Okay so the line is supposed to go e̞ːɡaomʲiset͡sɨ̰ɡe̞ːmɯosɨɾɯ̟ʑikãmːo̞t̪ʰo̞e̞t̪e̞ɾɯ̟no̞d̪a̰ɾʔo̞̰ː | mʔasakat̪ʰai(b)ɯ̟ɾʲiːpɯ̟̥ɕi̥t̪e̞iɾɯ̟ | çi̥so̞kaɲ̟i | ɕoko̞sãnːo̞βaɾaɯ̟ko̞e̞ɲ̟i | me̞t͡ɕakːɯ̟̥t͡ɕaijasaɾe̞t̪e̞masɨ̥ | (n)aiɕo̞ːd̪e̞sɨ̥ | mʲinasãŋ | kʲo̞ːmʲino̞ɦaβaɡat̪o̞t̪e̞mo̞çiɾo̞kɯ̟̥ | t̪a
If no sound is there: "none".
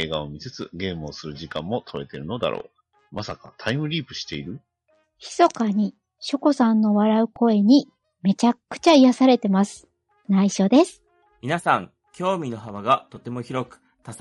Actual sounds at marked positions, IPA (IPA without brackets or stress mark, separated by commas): m, n